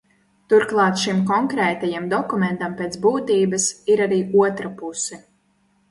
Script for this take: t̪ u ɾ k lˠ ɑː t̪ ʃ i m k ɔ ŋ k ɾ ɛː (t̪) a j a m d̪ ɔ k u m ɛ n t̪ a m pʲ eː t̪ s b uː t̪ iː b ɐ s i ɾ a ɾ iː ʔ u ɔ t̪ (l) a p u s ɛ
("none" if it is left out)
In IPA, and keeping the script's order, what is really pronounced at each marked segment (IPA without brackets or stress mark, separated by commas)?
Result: t̪, ɾ